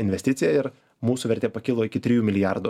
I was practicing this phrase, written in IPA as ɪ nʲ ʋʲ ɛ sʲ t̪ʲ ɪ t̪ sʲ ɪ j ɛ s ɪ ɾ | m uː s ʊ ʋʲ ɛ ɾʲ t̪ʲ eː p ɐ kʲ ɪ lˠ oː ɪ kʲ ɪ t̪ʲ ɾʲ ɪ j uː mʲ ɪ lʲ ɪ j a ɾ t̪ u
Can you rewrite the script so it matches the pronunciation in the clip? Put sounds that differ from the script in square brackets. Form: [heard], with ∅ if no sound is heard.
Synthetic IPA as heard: ɪ nʲ ʋʲ ɛ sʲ t̪ʲ ɪ t̪ sʲ ɪ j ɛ [∅] ɪ ɾ | m uː s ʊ ʋʲ ɛ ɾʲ t̪ʲ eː p ɐ kʲ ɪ lˠ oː ɪ kʲ ɪ t̪ʲ ɾʲ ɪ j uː mʲ ɪ lʲ ɪ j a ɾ [d̪] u